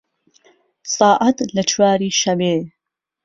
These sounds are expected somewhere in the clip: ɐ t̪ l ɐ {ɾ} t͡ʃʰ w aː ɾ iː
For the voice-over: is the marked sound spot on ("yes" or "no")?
no